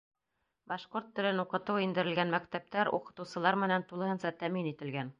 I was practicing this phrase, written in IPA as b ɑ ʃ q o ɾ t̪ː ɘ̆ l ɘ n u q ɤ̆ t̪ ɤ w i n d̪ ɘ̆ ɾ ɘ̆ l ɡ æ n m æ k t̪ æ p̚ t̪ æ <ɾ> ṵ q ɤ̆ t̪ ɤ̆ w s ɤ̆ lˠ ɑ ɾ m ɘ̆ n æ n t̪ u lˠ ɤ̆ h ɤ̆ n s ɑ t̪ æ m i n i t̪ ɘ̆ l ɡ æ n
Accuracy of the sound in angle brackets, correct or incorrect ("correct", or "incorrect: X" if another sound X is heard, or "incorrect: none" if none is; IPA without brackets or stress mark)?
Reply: correct